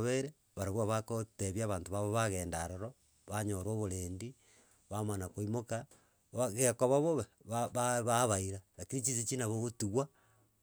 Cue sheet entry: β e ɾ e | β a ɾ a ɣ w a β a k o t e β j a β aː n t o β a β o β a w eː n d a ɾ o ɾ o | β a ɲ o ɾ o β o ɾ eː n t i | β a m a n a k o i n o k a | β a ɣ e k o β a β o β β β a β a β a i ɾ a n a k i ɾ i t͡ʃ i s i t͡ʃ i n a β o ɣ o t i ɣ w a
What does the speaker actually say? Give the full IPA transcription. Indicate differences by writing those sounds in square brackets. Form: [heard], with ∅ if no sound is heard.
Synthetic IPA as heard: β e ɾ e | β a ɾ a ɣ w a β a k o t e β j a β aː n t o β a β o β a [ɣ] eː n d a ɾ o ɾ o | β a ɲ o ɾ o β o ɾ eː n [d] i | β a m a n a k o i [m] o k a | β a ɣ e k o β a β o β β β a β a β a i ɾ a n a k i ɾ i t͡ʃ i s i t͡ʃ i n a β o ɣ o t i ɣ w a